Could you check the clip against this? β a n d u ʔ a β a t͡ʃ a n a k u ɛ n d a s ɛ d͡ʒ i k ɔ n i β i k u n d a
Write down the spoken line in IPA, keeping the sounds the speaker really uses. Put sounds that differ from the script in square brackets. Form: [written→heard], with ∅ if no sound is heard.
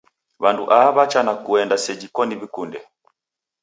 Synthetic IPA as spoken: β a n d u ʔ a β a t͡ʃ a n a k u ɛ n d a s ɛ d͡ʒ i k ɔ n i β i k u n d [a→ɛ]